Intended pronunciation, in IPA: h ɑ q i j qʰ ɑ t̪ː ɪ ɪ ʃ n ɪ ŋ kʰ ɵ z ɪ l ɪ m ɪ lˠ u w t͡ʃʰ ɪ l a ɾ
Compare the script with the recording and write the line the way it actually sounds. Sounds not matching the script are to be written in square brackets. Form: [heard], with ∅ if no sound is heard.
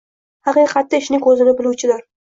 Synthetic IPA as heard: h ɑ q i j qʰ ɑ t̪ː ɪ ɪ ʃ n ɪ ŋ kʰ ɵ z ɪ l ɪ [b] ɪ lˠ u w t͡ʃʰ ɪ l a ɾ